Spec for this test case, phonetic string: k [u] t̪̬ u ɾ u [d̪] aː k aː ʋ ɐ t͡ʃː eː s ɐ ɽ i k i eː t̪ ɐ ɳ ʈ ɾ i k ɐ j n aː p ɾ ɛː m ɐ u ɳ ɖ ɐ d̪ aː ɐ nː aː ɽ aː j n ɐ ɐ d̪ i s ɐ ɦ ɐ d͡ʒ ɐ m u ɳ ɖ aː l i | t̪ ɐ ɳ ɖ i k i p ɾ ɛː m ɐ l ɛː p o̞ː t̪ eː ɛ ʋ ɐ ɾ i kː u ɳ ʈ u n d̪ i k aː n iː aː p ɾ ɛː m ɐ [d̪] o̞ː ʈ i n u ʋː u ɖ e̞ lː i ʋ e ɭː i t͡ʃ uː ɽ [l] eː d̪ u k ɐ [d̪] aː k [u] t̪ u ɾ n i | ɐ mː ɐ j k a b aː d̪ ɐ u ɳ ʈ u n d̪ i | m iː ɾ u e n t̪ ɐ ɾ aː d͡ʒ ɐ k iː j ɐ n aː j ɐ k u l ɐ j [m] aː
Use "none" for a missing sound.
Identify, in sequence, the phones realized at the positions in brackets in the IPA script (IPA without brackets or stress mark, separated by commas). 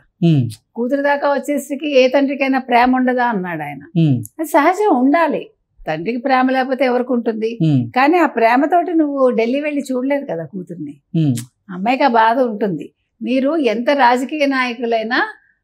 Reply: uː, d̪, t̪, l, d̪, uː, n